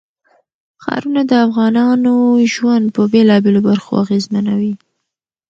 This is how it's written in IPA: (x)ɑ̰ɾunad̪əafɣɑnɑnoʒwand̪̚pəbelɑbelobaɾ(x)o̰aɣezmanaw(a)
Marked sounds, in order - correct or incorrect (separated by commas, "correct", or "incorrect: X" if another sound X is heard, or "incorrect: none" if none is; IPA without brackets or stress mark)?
correct, correct, incorrect: i